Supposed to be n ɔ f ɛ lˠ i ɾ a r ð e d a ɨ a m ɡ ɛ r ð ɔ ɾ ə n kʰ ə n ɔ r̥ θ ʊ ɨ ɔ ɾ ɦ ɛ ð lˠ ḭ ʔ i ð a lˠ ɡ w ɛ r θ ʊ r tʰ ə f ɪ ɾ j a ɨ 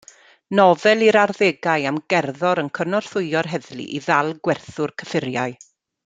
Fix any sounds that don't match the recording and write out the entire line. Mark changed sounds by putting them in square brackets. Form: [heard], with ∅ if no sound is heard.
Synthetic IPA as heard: n ɔ [v] ɛ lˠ i ɾ a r ð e [ɡ] a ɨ a m ɡ ɛ r ð ɔ ɾ ə n kʰ ə n ɔ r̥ θ ʊ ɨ ɔ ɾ ɦ ɛ ð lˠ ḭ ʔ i ð a lˠ ɡ w ɛ r θ ʊ r [kʰ] ə f ɪ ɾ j a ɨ